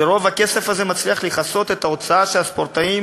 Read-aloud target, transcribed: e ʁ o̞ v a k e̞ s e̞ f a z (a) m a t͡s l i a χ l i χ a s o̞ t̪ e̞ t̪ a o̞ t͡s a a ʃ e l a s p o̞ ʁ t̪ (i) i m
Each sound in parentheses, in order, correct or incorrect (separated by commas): incorrect, incorrect